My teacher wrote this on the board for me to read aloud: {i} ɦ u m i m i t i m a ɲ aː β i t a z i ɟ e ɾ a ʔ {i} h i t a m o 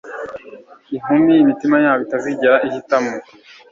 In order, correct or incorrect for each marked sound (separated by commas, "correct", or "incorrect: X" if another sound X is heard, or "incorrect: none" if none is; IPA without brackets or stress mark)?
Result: correct, correct